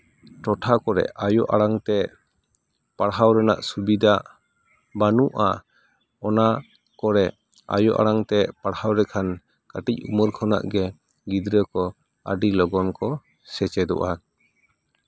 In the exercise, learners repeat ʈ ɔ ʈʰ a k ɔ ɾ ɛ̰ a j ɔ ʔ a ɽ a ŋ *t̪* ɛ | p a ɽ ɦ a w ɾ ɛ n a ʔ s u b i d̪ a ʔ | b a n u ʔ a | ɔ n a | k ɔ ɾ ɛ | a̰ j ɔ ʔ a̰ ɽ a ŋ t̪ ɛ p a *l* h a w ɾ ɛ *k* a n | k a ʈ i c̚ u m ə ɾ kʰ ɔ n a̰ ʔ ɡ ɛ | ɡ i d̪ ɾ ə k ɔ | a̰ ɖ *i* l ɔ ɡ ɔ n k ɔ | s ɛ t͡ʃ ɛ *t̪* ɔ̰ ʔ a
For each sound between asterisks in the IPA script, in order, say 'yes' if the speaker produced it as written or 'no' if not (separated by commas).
yes, no, no, yes, no